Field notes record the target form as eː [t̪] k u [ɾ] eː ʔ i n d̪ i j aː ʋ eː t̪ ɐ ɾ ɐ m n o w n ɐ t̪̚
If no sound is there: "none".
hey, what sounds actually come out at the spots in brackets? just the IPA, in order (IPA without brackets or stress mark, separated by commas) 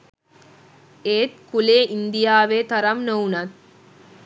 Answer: t̪, l